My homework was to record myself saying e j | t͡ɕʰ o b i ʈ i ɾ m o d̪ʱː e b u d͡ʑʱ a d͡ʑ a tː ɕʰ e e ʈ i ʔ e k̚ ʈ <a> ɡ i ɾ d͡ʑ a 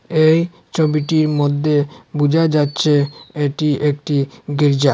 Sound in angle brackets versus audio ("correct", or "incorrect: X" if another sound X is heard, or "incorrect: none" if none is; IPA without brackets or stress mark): incorrect: i